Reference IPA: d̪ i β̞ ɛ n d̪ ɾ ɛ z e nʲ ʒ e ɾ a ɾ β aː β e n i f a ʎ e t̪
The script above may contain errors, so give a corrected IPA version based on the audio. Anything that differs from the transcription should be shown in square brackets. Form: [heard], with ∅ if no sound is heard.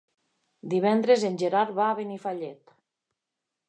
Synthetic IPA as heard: d̪ i β̞ ɛ n d̪ ɾ [e] z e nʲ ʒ e ɾ a ɾ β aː β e n i f a ʎ e t̪